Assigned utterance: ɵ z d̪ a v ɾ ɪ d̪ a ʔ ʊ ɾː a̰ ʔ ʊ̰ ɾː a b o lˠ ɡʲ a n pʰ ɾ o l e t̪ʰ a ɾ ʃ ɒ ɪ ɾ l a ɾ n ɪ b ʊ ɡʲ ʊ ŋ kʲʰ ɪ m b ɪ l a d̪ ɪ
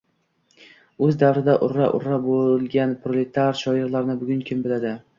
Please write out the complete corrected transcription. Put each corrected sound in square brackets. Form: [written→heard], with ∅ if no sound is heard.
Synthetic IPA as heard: ɵ z d̪ a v ɾ ɪ d̪ a ʔ ʊ ɾː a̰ ʔ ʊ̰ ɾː a b o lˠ ɡʲ a n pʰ ɾ o l e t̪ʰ a ɾ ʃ ɒ ɪ ɾ l a ɾ n ɪ b ʊ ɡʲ ʊ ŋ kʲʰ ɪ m b ɪ l a d̪ ɪ